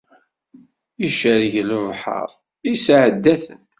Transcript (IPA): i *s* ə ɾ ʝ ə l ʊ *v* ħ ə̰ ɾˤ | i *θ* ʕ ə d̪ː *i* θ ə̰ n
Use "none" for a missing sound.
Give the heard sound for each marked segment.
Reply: ʃ, v, s, æ

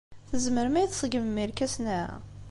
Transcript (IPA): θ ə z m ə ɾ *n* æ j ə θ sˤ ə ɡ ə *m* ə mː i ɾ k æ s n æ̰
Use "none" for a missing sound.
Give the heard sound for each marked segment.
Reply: m, m

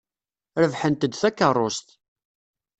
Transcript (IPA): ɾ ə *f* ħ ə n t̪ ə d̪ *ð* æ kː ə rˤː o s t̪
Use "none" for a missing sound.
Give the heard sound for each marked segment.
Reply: v, θ

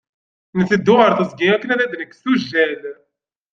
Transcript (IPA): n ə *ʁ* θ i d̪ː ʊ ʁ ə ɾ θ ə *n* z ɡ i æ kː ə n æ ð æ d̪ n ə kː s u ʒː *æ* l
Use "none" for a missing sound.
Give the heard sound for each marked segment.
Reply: none, none, æ

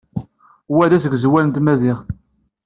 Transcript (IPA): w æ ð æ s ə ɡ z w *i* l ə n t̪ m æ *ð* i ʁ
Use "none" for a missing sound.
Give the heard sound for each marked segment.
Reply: æ, z

